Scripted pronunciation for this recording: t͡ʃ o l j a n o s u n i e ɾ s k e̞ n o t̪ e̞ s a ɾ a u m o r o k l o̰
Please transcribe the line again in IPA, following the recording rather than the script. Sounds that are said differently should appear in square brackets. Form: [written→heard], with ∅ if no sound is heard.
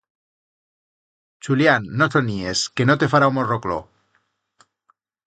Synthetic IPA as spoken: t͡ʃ [o→u] l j a [n→nː] o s [u→o] n i e [ɾ→∅] s k e̞ n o t̪ e̞ [s→f] a ɾ a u m o r o k l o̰